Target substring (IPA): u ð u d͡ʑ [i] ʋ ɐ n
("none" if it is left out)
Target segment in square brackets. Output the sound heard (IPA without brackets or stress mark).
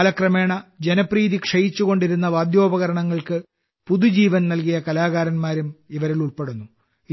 iː